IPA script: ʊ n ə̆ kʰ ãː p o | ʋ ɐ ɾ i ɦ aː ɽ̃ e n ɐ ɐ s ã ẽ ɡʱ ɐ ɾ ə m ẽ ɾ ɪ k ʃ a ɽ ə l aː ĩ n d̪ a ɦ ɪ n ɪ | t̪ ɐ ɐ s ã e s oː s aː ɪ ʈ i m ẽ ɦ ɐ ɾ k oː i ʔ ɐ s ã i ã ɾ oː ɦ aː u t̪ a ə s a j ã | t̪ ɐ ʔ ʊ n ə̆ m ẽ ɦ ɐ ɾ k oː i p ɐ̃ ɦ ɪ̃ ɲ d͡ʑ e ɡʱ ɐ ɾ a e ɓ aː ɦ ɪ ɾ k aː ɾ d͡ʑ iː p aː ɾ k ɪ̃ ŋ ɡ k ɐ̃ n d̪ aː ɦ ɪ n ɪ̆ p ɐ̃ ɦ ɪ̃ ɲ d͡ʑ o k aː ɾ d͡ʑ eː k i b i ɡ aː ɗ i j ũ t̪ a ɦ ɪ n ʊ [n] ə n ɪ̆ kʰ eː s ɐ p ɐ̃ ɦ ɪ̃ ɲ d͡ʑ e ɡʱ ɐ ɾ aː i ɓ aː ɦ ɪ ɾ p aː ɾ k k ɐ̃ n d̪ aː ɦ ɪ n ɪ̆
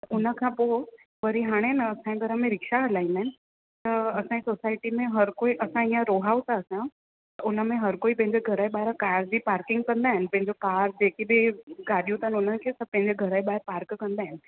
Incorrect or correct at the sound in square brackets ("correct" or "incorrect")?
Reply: correct